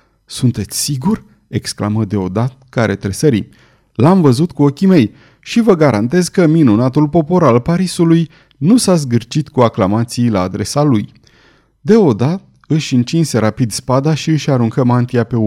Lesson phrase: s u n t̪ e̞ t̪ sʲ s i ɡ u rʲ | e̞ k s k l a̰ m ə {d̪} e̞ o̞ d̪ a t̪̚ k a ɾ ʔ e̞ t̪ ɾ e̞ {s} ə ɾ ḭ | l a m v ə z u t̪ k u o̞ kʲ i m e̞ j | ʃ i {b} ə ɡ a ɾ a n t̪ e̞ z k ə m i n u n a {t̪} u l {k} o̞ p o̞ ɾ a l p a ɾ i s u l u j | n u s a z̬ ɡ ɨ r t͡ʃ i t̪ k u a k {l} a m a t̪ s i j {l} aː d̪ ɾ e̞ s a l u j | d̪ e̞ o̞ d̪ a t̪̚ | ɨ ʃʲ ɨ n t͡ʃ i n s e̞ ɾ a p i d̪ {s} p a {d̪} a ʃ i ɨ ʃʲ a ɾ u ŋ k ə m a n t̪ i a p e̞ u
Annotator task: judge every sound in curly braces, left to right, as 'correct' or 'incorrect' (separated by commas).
correct, correct, incorrect, correct, incorrect, correct, correct, correct, correct